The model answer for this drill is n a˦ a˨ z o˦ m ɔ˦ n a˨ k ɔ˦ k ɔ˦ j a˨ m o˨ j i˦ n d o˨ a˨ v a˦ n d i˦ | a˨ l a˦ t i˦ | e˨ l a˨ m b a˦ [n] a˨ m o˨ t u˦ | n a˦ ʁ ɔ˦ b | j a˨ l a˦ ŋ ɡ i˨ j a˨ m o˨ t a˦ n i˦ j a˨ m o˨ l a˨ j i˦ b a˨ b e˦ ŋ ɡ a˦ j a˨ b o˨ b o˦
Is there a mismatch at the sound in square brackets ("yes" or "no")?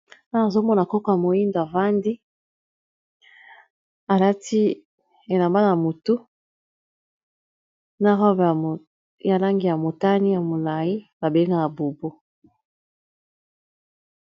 no